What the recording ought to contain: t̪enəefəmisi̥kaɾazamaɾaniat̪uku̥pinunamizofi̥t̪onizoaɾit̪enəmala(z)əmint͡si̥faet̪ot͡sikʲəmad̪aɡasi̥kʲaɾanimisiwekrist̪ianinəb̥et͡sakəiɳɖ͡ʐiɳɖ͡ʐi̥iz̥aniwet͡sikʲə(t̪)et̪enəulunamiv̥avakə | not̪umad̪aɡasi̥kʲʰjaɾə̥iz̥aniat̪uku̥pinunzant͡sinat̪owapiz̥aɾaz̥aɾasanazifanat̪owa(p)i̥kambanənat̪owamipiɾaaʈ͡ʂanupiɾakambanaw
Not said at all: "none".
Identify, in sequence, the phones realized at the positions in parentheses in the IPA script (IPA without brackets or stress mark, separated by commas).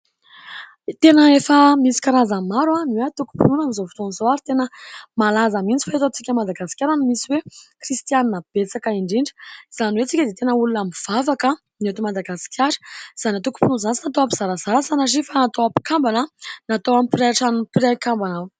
z, d̪, p